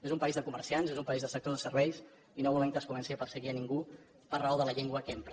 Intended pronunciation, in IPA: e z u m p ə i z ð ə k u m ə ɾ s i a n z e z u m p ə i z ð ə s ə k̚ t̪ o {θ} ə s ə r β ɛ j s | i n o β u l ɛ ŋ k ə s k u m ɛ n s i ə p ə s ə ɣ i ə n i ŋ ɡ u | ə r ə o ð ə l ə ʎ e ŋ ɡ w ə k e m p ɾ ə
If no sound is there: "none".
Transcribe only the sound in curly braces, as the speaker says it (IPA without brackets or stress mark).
ð